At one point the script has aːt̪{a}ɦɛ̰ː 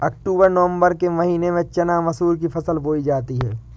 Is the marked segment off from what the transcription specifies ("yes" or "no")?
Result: yes